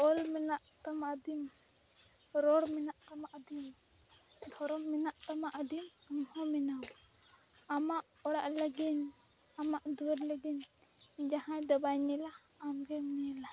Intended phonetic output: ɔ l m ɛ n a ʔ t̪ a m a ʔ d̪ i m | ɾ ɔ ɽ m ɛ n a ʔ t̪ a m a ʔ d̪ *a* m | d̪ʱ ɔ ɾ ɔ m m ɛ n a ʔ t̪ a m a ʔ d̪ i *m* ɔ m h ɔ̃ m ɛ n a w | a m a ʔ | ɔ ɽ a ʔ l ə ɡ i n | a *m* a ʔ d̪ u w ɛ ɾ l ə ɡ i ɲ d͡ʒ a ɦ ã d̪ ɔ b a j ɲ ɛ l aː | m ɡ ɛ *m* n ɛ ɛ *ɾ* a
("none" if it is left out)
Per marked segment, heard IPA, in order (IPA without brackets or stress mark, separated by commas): i, m, m, m, l